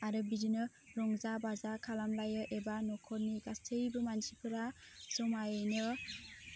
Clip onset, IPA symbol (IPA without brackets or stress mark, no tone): a